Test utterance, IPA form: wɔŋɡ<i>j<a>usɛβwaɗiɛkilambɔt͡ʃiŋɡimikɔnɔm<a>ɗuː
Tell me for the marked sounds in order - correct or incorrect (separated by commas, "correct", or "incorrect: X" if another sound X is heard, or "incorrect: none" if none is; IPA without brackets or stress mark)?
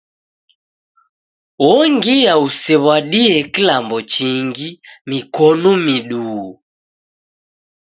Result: correct, correct, incorrect: i